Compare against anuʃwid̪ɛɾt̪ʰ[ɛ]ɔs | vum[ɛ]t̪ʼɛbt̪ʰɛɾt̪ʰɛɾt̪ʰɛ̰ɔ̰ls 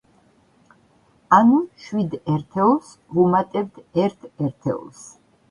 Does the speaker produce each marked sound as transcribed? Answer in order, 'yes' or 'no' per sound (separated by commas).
yes, no